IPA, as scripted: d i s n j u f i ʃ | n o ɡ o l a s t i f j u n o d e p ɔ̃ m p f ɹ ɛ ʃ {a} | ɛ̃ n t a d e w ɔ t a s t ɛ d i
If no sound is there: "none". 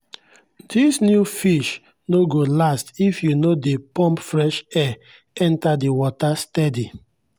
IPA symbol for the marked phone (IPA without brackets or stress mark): ɛ